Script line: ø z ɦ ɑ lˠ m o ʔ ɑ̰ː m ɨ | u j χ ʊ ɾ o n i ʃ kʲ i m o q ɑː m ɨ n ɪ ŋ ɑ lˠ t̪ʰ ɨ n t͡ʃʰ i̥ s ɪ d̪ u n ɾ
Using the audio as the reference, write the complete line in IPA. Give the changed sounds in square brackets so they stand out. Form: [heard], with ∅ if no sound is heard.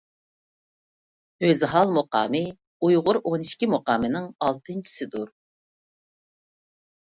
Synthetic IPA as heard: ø z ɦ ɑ lˠ m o [q] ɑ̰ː m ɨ | u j [ʁ] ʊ ɾ o n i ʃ kʲ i m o q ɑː m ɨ n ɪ ŋ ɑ lˠ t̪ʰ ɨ n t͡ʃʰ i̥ s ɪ d̪ u [∅] ɾ